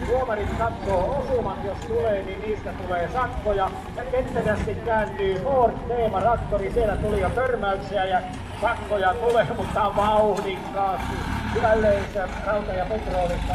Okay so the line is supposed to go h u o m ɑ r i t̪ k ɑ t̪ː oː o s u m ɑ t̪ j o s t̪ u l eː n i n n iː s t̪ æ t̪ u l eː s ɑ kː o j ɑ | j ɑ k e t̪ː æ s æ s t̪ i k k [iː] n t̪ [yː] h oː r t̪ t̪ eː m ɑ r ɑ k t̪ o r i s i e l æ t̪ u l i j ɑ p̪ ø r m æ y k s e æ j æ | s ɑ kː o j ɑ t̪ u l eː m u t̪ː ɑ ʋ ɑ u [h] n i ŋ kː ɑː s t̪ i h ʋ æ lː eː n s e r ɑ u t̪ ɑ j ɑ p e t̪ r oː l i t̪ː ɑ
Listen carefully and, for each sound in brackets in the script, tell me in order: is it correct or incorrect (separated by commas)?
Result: incorrect, correct, correct